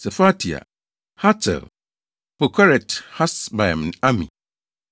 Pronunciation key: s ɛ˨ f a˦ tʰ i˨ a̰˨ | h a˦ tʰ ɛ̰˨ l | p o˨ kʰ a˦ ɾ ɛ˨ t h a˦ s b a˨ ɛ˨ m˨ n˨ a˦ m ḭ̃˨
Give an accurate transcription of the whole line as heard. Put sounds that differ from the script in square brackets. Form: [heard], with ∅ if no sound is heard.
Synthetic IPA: s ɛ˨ f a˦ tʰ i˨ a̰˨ | h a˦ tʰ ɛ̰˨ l | p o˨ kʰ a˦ ɾ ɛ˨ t h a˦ s b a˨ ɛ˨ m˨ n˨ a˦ m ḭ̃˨